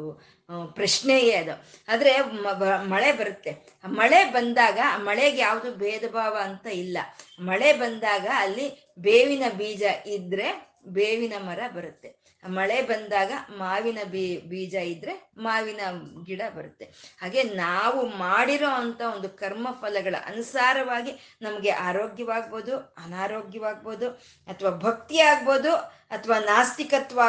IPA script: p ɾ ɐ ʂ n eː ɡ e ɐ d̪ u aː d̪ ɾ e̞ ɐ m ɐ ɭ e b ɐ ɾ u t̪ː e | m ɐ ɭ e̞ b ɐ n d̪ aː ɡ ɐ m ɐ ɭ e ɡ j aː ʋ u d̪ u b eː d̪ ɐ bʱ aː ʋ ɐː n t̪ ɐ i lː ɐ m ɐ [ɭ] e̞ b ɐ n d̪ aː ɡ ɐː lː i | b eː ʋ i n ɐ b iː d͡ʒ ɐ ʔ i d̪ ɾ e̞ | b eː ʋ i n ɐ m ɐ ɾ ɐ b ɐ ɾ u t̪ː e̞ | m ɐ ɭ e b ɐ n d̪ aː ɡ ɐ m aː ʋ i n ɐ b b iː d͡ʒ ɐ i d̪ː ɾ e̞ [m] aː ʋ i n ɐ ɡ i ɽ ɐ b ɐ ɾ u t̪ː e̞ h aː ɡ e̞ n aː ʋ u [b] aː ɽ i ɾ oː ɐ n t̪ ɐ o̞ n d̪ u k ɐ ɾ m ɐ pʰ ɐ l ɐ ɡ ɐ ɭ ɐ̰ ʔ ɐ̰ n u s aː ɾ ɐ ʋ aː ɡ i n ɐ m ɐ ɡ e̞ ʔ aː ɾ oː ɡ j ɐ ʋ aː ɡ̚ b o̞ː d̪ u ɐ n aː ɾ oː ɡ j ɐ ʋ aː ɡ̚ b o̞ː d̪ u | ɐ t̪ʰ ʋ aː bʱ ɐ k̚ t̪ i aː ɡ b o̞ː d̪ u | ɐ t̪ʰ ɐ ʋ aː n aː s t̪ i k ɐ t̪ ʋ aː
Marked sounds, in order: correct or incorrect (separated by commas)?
correct, correct, incorrect